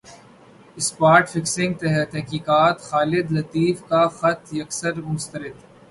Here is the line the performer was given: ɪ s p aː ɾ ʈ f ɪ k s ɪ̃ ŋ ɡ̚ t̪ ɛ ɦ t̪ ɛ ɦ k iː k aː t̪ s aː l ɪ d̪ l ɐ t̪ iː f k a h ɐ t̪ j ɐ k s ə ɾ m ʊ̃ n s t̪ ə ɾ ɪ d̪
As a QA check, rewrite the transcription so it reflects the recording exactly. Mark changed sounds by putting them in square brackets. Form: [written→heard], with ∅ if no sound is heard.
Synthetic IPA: ɪ s p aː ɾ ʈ f ɪ k s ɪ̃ ŋ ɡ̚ t̪ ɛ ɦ t̪ ɛ ɦ k iː k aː t̪ [s→x] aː l ɪ d̪ l ɐ t̪ iː f k a [h→x] ɐ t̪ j ɐ k s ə ɾ m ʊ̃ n s t̪ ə ɾ ɪ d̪

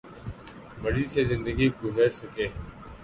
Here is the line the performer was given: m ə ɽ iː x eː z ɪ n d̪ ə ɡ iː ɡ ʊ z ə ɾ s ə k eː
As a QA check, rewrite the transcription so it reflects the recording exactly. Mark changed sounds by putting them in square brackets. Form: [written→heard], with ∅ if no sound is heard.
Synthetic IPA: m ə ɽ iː [x→s] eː z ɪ n d̪ ə ɡ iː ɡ ʊ z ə ɾ s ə k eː

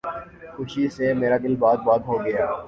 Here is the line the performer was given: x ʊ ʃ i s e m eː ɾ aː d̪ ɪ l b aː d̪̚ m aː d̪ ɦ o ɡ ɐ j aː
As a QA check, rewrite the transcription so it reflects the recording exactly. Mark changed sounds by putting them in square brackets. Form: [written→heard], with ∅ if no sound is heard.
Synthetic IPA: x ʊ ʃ i s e m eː ɾ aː d̪ ɪ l b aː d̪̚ [m→b] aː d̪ ɦ o ɡ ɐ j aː

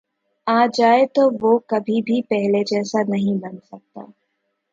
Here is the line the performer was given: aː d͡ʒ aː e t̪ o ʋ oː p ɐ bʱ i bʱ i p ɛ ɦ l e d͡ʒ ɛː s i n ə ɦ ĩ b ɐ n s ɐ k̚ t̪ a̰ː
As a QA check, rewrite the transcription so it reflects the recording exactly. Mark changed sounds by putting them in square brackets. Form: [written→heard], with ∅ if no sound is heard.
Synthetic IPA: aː d͡ʒ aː e t̪ o ʋ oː [p→k] ɐ bʱ i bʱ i p ɛ ɦ l e d͡ʒ ɛː s [i→a] n [ə→ɐ] ɦ ĩ b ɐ n s ɐ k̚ t̪ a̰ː

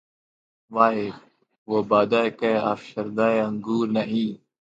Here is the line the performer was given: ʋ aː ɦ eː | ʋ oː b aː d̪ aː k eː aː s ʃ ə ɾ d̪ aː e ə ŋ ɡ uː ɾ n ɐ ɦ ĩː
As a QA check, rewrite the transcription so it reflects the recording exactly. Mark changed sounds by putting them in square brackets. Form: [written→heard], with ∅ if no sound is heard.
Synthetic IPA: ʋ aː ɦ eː | ʋ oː b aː d̪ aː k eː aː [s→f] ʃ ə ɾ d̪ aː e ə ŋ ɡ uː ɾ n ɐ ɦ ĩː

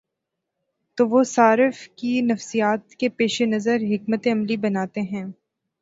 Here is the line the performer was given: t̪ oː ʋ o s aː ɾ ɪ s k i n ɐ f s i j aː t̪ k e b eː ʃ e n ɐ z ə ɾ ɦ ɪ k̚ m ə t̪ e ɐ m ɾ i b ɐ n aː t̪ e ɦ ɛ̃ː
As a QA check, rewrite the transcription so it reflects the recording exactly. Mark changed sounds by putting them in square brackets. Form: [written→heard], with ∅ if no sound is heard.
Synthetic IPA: t̪ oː ʋ o s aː ɾ ɪ [s→f] k i n ɐ f s i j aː t̪ k e [b→p] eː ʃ e n ɐ z ə ɾ ɦ ɪ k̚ m ə t̪ e ɐ m [ɾ→l] i b ɐ n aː t̪ e ɦ ɛ̃ː

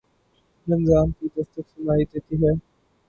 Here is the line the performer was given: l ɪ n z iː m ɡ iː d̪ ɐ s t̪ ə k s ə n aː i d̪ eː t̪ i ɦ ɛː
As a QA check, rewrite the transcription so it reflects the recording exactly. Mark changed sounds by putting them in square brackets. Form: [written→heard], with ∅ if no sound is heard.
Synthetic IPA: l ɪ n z [iː→aː] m [ɡ→k] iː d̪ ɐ s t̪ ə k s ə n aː i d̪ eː t̪ i ɦ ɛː

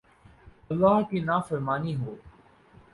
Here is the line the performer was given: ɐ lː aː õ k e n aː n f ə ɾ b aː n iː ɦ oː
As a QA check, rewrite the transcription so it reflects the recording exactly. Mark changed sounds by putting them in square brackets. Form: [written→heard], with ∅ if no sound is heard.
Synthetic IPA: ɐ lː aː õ k [e→i] n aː [n→∅] f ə ɾ [b→m] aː n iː ɦ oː

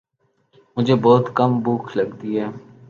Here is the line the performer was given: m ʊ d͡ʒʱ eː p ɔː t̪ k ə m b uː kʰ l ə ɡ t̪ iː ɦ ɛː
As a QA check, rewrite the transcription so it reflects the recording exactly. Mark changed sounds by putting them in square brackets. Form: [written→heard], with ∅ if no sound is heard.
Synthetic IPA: m ʊ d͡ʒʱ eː [p→b] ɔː t̪ k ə m b uː kʰ l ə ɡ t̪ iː ɦ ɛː

